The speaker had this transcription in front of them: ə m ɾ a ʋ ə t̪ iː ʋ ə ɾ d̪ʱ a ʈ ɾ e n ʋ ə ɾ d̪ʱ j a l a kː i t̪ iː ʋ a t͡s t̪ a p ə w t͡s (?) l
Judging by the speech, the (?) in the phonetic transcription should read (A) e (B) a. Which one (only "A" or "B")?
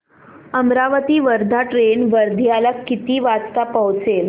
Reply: A